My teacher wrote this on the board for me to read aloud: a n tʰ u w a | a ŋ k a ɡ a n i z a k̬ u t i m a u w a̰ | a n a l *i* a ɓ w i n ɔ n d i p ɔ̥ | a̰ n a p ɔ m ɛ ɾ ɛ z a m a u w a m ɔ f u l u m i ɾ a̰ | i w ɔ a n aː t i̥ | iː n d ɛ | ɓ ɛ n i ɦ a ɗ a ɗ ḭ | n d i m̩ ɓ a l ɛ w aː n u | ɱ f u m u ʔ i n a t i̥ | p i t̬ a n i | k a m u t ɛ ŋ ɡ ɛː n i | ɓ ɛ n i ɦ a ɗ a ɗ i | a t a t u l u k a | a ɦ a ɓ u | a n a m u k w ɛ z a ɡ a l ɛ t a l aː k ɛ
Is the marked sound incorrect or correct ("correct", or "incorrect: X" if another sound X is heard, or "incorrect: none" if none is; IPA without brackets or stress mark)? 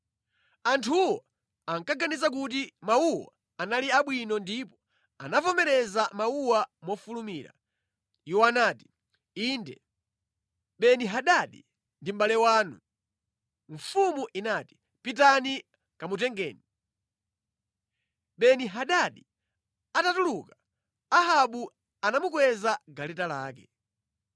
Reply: correct